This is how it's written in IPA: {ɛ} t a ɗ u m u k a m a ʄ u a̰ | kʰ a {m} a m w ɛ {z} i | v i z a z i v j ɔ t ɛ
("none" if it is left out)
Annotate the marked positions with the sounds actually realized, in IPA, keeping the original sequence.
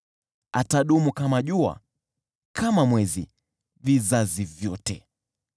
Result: a, m, z

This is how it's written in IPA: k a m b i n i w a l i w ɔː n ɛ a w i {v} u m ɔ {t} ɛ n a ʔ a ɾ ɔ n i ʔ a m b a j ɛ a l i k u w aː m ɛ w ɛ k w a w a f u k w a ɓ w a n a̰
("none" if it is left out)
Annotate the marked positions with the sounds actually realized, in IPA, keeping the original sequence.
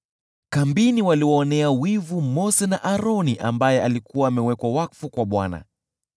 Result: v, s

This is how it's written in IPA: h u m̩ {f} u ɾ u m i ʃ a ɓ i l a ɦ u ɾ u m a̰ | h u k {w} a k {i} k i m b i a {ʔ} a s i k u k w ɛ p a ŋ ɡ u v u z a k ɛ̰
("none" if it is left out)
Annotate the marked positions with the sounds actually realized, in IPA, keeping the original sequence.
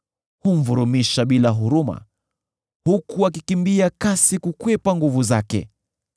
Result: v, u, i, k

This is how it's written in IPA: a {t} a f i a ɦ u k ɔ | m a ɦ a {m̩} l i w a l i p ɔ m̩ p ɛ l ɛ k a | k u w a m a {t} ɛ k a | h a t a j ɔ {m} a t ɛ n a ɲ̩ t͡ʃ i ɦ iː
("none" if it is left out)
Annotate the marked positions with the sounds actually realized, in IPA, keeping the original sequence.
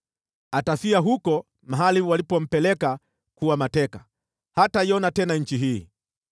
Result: t, none, t, n

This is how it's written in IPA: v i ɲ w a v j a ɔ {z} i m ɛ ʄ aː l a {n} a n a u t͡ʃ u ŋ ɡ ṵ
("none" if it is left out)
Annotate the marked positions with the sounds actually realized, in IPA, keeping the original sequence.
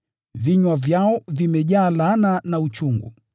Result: v, n

